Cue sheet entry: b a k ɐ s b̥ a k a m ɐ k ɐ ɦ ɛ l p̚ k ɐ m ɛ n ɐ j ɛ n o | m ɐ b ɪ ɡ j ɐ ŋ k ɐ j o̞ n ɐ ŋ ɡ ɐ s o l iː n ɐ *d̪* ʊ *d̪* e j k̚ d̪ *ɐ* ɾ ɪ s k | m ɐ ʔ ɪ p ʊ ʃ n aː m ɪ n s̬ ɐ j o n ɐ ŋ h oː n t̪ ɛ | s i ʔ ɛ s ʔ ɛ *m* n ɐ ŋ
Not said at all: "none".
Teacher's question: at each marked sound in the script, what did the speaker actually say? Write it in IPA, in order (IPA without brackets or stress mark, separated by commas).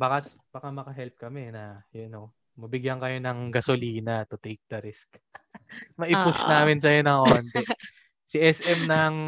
t̪, t̪, ɐ, m